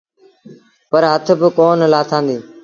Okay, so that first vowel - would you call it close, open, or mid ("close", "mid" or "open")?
mid